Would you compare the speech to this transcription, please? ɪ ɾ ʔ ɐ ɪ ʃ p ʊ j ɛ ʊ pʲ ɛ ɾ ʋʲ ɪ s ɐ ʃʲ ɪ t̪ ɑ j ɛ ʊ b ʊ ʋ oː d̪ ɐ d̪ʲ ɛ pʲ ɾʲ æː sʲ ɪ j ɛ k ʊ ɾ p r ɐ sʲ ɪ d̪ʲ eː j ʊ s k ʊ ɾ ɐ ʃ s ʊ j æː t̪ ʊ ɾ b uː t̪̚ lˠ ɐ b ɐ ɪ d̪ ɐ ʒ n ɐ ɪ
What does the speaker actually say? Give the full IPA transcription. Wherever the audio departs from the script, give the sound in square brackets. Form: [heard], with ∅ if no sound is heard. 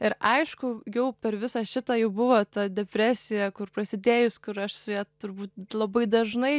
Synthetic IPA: ɪ ɾ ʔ ɐ ɪ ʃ [k] ʊ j ɛ ʊ pʲ ɛ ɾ ʋʲ ɪ s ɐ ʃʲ ɪ t̪ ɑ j ɛ ʊ b ʊ ʋ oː [t̪] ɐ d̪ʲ ɛ pʲ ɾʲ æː sʲ ɪ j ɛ k ʊ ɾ p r ɐ sʲ ɪ d̪ʲ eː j ʊ s k ʊ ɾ ɐ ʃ s ʊ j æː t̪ ʊ ɾ b uː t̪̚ lˠ ɐ b ɐ ɪ d̪ ɐ ʒ n ɐ ɪ